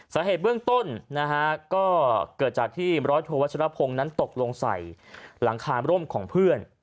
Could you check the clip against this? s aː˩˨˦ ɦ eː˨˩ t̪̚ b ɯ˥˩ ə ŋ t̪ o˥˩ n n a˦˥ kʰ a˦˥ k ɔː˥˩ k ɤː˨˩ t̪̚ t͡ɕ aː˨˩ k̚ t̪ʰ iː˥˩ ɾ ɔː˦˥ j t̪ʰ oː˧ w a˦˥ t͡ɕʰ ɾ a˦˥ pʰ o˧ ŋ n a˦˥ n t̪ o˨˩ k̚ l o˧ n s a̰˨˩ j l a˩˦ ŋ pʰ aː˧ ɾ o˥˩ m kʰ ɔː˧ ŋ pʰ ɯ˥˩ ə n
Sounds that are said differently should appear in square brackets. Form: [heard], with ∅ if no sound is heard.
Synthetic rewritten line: s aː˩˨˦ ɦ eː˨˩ t̪̚ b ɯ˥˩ ə ŋ t̪ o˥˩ n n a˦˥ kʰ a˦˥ k ɔː˥˩ k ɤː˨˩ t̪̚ t͡ɕ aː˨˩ k̚ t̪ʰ iː˥˩ ɾ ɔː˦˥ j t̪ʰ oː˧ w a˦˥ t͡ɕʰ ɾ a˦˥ pʰ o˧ ŋ n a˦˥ n t̪ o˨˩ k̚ l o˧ [ŋ] s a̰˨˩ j l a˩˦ ŋ [kʰ] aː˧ ɾ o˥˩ m kʰ [ɔː˩˦] ŋ pʰ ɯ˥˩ ə n